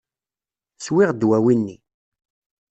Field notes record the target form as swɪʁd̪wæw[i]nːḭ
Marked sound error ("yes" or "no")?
no